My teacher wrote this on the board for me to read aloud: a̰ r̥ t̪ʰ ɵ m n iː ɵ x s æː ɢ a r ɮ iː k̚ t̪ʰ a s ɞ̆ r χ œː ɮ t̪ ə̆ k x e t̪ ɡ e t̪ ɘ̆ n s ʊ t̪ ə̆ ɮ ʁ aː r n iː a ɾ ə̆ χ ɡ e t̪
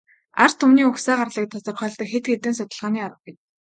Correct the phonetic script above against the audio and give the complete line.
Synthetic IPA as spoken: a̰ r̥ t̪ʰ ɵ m n iː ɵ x s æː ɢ a r ɮ iː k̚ t̪ʰ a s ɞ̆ r χ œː ɮ t̪ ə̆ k x e t̪ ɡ e t̪ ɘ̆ n s ʊ t̪ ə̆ ɮ ʁ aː n iː a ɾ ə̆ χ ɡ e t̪

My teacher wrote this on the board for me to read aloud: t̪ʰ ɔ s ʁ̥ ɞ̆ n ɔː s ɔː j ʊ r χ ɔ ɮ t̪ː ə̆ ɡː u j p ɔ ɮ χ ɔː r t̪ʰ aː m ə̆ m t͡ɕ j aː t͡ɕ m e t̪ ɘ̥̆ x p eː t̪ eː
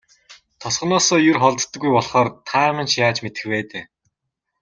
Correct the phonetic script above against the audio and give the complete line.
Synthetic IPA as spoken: t̪ʰ ɔ s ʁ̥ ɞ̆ n ɔː s ɔː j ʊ r χ ɔ ɮ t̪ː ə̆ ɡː u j p ɔ ɮ χ ɔː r t̪ʰ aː m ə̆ n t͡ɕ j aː t͡ɕ m e t̪ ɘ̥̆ x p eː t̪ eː

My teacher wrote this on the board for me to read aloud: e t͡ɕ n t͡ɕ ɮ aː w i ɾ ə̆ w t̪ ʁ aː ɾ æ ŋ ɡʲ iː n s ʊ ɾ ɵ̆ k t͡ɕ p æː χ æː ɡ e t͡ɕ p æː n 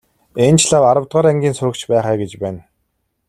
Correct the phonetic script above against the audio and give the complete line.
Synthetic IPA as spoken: e n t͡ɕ ɮ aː w a ɾ ə̆ w t̪ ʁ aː ɾ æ ŋ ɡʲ iː n s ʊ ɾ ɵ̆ k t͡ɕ p æː χ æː ɡ e t͡ɕ p æː n

